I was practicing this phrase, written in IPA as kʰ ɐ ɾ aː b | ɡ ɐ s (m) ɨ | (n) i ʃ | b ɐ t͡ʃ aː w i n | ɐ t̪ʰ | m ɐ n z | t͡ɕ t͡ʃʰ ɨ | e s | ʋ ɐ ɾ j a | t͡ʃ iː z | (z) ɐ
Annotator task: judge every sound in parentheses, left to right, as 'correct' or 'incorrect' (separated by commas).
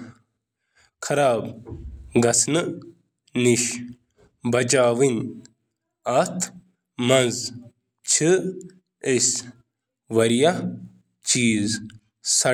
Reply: incorrect, correct, incorrect